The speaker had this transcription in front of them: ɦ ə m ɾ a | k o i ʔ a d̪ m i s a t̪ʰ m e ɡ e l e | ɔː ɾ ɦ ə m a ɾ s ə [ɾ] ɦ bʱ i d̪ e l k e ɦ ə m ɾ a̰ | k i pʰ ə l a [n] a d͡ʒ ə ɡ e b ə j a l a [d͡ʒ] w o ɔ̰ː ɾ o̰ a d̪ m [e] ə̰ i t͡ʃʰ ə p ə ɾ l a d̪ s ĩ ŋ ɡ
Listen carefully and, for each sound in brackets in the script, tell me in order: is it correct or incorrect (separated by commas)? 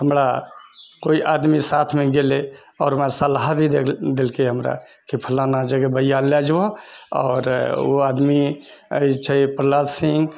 incorrect, correct, correct, incorrect